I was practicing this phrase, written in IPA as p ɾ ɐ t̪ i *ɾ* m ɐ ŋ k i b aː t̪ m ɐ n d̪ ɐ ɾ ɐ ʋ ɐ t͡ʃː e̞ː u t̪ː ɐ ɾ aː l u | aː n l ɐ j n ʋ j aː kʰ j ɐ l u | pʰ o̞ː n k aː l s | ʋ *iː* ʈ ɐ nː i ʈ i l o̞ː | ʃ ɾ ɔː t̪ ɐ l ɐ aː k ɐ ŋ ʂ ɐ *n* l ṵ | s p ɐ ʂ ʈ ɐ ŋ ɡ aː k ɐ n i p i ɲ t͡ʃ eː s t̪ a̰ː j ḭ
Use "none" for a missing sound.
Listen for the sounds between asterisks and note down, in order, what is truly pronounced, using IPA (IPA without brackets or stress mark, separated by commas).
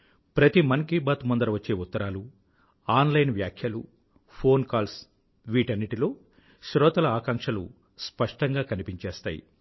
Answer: none, iː, none